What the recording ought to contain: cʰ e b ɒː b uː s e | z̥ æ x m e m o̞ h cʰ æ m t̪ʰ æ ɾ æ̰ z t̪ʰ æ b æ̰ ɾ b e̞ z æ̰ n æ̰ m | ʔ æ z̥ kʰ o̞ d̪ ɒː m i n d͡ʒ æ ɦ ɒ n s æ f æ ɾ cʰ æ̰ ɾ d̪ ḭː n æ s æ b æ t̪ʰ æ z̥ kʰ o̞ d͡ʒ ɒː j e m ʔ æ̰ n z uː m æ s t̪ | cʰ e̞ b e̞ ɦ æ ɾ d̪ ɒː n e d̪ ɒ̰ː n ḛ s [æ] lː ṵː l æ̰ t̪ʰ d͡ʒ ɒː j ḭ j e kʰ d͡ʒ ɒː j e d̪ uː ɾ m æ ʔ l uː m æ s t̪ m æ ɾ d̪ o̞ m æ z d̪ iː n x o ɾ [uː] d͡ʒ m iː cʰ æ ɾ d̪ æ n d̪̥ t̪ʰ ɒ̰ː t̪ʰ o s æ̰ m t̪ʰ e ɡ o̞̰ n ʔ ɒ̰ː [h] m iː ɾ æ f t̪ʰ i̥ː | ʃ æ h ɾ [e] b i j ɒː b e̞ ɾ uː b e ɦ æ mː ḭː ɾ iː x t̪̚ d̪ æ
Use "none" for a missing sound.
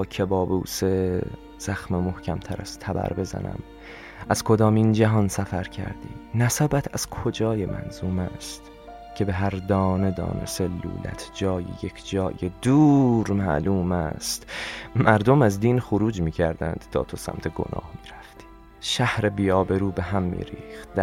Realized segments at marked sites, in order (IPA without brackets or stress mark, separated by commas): e, uː, h, e